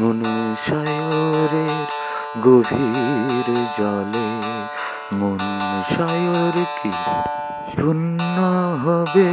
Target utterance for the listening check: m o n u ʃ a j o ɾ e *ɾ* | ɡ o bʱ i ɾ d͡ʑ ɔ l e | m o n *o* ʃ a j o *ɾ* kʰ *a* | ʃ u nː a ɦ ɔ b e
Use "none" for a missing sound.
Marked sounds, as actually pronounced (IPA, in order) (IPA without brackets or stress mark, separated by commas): ɾ, u, ɾ, i